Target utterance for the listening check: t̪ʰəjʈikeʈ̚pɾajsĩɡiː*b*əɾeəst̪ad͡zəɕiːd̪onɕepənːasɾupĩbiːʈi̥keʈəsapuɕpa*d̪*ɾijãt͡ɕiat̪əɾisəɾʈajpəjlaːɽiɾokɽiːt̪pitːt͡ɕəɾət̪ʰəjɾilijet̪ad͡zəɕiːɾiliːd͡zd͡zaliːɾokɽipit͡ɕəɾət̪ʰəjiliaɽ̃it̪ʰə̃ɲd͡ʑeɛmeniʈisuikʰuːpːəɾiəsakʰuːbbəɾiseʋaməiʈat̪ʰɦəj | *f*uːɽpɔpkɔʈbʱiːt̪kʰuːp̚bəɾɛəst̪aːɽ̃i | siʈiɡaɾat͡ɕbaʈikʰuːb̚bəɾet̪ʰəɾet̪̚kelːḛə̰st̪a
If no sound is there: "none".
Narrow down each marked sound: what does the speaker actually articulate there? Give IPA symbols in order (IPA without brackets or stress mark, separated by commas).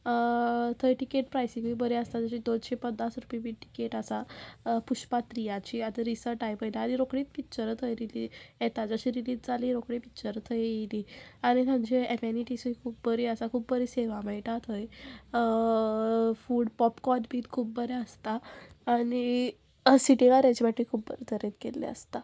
b, t̪, f